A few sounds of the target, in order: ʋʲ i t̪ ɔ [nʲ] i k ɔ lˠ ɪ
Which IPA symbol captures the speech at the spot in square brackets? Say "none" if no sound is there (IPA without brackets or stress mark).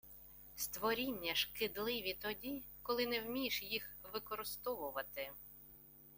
dʲ